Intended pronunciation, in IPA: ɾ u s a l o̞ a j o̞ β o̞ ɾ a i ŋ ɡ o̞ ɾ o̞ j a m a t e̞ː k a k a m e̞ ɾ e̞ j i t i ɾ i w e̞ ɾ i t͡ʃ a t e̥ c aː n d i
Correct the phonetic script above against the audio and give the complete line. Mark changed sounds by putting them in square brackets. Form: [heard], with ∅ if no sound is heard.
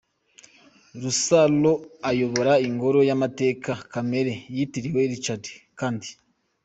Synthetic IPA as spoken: ɾ u s a l o̞ a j o̞ β o̞ ɾ a i ŋ ɡ o̞ ɾ o̞ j a m a t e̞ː k a k a m e̞ ɾ e̞ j i t i ɾ i w e̞ ɾ i t͡ʃ a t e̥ [k] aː n d i